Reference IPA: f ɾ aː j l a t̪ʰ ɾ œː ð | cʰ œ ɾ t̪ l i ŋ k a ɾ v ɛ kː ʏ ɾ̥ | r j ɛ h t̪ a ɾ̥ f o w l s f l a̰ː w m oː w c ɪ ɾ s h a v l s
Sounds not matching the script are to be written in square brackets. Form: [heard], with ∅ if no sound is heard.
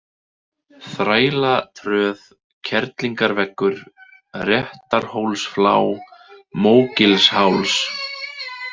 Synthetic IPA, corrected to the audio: [θ] ɾ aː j l a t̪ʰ ɾ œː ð | cʰ [ɛ] ɾ t̪ l i ŋ k a ɾ v ɛ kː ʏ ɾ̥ | r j ɛ h t̪ a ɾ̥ [h] o w l s f l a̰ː w m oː w c ɪ [l] s h a [w] l s